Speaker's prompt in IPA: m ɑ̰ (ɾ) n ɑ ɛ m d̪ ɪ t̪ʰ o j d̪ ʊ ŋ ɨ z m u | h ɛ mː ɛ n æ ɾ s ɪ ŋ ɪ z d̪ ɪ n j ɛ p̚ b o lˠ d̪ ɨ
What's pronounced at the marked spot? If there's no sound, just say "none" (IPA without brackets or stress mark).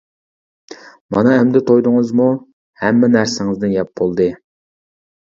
none